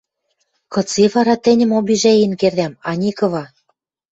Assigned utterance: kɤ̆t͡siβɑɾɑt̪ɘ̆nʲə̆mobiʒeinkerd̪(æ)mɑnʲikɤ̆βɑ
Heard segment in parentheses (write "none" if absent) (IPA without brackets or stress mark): æ